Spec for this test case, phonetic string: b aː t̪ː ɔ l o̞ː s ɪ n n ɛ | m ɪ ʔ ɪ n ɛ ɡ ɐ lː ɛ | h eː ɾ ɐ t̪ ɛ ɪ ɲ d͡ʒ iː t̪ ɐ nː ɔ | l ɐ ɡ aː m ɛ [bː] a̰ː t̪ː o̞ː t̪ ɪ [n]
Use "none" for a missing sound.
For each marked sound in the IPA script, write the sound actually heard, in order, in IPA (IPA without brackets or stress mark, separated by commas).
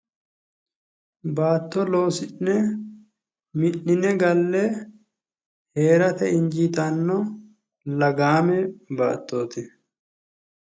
b, none